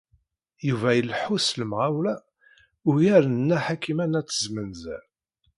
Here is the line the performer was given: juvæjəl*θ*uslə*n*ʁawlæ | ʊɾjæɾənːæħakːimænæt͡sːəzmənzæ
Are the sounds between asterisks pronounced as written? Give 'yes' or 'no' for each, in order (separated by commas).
no, no